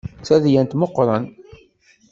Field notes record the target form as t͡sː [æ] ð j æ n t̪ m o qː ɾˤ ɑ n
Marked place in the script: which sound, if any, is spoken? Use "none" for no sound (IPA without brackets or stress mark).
æ